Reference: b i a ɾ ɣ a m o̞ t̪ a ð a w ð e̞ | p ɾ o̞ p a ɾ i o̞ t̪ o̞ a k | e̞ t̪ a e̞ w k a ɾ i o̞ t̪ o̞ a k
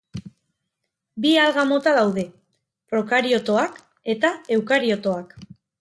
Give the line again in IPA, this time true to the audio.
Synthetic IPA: b i a l ɣ a m o̞ t̪ a ð a w ð e̞ | p ɾ o̞ k a ɾ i o̞ t̪ o̞ a k | e̞ t̪ a e̞ w k a ɾ i o̞ t̪ o̞ a k